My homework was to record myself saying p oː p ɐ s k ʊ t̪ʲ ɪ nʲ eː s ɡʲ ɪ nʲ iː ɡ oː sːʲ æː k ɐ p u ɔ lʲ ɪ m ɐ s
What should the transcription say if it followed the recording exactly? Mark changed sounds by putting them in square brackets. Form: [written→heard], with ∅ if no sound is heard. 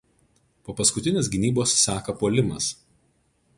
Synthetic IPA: p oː p ɐ s k ʊ t̪ʲ ɪ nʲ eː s ɡʲ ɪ nʲ iː [ɡ→b] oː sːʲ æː k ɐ p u ɔ lʲ ɪ m ɐ s